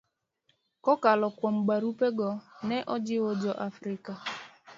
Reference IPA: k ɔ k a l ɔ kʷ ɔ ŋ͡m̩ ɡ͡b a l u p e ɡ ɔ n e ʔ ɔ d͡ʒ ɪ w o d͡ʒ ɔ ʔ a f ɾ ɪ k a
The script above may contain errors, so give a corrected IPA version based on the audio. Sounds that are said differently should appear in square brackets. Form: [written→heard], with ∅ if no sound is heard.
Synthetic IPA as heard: k ɔ k a l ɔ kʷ ɔ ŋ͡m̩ ɡ͡b a [l→ɾ] u p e ɡ ɔ n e ʔ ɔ d͡ʒ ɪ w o d͡ʒ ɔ ʔ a f ɾ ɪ k a